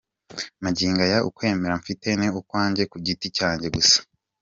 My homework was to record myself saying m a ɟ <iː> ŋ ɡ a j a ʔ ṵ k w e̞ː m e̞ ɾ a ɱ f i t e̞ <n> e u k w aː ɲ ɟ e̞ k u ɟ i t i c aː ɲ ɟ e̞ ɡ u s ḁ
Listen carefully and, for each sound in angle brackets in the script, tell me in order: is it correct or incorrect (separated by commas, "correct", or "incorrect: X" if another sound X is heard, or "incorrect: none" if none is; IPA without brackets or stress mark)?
correct, correct